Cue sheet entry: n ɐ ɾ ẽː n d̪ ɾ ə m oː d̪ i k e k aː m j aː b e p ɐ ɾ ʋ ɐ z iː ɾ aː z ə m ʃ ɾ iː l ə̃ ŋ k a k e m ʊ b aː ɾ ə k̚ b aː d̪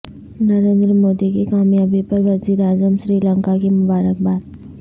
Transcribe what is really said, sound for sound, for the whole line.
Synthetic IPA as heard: n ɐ ɾ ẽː n d̪ ɾ ə m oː d̪ i k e k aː m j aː b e p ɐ ɾ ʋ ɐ z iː ɾ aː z ə m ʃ ɾ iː l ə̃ ŋ k a k e m ʊ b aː ɾ ə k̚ b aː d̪